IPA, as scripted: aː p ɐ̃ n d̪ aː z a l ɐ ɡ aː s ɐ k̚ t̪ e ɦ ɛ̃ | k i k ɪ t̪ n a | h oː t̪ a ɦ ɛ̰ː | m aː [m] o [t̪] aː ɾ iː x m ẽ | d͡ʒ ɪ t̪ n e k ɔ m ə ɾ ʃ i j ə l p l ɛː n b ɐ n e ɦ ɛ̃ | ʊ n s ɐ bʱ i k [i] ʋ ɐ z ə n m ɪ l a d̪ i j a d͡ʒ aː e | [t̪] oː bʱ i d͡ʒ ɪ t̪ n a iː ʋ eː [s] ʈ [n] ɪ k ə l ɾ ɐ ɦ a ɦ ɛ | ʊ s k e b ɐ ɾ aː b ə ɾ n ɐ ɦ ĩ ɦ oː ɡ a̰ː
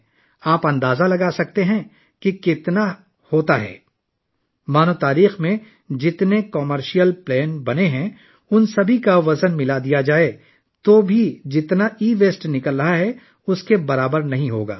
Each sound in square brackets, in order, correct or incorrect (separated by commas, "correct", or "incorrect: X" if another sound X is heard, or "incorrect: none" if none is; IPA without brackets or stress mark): incorrect: n, correct, incorrect: a, correct, correct, correct